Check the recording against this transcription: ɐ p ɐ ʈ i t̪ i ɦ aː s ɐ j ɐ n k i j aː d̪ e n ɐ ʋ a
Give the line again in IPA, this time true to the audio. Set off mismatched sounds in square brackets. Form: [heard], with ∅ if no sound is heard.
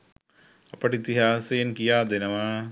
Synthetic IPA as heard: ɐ p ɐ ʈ i t̪ i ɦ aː s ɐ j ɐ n k i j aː d̪ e n ɐ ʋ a